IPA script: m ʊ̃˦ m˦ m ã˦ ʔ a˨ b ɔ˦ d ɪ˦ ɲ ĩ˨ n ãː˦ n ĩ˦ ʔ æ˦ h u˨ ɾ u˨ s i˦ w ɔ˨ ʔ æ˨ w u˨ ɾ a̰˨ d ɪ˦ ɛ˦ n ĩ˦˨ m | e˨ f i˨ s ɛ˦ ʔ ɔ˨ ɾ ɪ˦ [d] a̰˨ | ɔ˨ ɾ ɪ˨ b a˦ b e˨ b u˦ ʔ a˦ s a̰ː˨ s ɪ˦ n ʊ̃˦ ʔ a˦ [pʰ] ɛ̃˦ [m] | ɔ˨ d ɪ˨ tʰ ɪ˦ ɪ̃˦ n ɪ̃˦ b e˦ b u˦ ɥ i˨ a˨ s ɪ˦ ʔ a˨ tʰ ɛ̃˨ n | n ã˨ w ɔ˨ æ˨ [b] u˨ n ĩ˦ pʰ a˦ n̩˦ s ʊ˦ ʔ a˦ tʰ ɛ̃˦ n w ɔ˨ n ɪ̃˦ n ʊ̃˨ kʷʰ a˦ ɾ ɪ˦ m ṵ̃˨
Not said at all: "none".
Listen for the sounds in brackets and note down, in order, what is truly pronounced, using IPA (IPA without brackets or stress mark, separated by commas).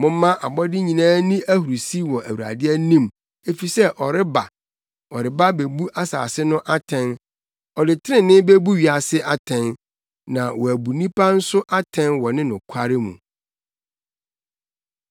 b, tʰ, n, b